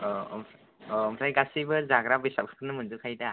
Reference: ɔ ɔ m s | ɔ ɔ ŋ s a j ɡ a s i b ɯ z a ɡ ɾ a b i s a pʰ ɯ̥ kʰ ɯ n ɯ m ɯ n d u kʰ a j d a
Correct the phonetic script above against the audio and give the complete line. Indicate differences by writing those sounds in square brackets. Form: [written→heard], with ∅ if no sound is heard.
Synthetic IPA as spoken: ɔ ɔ m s | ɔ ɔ [ŋ→m] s a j ɡ a s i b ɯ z a ɡ ɾ a b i s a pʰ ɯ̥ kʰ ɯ n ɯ m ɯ n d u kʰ a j d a